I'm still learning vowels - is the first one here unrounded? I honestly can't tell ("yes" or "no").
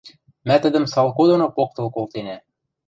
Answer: yes